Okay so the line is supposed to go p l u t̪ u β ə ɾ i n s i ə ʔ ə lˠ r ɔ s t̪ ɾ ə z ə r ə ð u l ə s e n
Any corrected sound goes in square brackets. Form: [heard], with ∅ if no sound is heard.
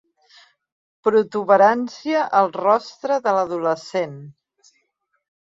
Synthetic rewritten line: p [ɾ] u t̪ u β ə ɾ [a] n s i ə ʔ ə lˠ r ɔ s t̪ ɾ ə [ð] ə [l] ə ð u l ə s e n